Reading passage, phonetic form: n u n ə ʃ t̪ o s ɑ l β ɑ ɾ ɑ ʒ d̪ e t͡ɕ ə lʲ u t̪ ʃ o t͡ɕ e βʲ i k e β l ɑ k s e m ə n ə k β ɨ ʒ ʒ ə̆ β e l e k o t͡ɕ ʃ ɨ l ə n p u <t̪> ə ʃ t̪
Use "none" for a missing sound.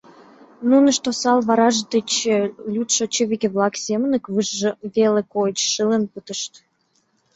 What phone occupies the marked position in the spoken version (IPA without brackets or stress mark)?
t̪